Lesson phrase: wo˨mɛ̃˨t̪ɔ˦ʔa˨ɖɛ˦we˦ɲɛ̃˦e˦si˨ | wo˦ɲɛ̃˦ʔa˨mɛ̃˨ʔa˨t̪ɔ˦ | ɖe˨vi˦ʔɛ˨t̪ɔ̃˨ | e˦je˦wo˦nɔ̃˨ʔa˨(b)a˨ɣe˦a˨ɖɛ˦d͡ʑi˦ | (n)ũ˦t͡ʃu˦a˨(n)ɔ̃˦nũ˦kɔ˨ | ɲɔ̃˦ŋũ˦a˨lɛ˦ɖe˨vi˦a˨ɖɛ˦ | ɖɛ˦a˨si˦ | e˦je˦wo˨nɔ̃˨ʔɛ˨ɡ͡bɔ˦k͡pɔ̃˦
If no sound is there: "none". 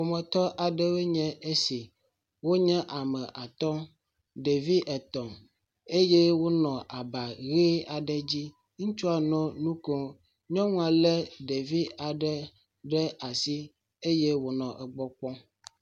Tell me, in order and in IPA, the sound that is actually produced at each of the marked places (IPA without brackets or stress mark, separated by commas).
b, ŋ, n